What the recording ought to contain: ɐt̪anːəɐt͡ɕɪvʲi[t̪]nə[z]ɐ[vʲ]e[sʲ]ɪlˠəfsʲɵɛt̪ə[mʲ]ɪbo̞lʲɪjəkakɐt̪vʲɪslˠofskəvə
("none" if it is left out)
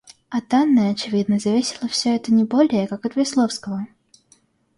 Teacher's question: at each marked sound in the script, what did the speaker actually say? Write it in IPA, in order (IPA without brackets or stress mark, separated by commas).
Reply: d̪, z, vʲ, sʲ, nʲ